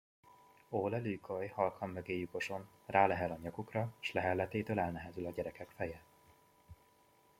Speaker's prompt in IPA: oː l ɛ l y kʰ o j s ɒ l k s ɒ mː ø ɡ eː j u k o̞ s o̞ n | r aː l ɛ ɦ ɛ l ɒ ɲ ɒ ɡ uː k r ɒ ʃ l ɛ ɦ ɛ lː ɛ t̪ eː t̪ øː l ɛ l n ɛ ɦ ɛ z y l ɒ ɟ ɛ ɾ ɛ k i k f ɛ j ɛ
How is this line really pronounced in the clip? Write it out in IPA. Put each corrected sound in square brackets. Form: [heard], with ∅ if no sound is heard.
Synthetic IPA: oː l ɛ l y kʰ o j [h] ɒ l k [h] ɒ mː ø ɡ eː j u k o̞ [ʃ] o̞ n | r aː l ɛ ɦ ɛ l ɒ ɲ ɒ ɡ [u] k r ɒ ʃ l ɛ ɦ ɛ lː ɛ t̪ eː t̪ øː l ɛ l n ɛ ɦ ɛ z y l ɒ ɟ ɛ ɾ ɛ k [ɛ] k f ɛ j ɛ